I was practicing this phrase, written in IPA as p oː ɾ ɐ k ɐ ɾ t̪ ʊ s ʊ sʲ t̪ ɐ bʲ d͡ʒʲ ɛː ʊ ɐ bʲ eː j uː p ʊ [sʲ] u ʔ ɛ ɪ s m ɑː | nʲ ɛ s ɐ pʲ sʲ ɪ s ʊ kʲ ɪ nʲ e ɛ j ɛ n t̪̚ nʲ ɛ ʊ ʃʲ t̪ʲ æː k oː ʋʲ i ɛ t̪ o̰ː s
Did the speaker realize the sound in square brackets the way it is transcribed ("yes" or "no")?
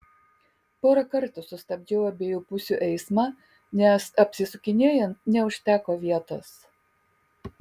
yes